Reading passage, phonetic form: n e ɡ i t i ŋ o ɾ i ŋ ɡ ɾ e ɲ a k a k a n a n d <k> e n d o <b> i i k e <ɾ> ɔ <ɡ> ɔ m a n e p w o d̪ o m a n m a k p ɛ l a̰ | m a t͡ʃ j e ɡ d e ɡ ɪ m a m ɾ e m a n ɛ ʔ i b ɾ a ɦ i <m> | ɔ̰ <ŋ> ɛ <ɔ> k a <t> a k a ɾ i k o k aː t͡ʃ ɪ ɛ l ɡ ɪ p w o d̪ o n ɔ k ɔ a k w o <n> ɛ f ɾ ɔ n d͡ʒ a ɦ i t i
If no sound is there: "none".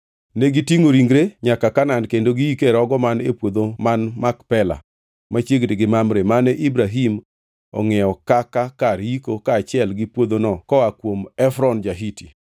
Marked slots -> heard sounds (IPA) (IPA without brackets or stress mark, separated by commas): k, ɡ, ɾ, ɡ, m, ŋ, ɔ, k, m